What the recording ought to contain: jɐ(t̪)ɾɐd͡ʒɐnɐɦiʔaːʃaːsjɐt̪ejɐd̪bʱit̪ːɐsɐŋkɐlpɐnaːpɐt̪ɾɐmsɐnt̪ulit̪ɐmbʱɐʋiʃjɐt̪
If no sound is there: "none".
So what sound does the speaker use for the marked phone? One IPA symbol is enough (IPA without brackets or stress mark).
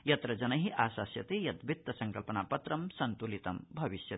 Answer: t̪